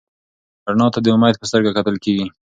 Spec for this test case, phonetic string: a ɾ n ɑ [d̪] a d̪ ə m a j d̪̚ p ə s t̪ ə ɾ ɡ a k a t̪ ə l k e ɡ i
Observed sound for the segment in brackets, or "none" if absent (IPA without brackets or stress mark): t̪